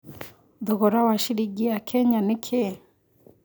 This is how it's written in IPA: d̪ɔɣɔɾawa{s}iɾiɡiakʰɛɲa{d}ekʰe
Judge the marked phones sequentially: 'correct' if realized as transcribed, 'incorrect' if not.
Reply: incorrect: ʃ, incorrect: n

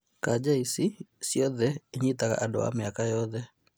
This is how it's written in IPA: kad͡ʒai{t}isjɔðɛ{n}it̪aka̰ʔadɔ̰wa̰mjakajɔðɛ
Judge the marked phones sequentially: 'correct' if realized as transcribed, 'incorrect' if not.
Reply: incorrect: s, incorrect: ɲ

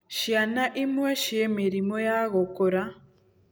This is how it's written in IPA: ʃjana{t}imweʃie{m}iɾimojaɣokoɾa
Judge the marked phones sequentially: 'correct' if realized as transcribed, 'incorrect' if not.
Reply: incorrect: ʔ, correct

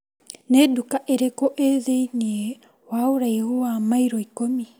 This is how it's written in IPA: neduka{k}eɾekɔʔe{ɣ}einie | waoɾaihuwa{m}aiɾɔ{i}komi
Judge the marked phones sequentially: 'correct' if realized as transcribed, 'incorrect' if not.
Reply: incorrect: ʔ, incorrect: ð, correct, correct

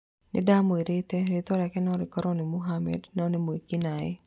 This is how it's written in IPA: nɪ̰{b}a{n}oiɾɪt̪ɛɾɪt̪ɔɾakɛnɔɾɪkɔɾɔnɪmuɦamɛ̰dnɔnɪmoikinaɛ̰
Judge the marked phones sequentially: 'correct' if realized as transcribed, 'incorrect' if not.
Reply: incorrect: d, incorrect: m

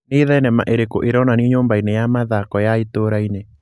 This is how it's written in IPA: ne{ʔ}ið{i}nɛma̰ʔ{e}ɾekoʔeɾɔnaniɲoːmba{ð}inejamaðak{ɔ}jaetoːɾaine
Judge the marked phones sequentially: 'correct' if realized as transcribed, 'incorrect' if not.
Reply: incorrect: none, incorrect: ɛ, correct, incorrect: none, correct

